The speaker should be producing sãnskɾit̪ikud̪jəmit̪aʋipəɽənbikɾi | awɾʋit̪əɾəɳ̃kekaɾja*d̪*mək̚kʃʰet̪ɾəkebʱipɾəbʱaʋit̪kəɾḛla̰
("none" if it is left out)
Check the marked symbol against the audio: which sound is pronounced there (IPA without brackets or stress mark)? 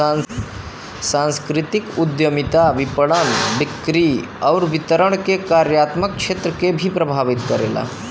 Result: t̪